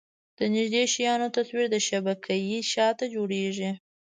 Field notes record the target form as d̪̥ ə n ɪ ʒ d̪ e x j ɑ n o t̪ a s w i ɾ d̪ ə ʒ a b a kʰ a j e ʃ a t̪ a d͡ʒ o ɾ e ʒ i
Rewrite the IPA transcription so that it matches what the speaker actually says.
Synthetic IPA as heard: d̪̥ ə n ɪ ʒ d̪ e ʃ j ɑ n o t̪ a s w i ɾ d̪ ə ʃ a b a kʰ a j i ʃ ɑ t̪ a d͡ʒ o ɽ e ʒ i